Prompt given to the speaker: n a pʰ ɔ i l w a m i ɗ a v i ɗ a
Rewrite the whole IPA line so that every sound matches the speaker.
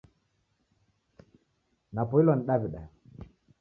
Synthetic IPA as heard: n a p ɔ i l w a n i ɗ a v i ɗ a